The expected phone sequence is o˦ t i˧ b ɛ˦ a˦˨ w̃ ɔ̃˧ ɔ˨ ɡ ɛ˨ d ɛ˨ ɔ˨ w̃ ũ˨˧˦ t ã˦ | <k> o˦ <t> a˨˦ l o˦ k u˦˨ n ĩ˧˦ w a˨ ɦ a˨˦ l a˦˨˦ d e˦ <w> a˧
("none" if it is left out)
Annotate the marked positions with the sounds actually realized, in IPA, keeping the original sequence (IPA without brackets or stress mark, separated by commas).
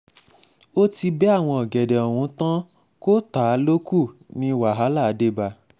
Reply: k, t, b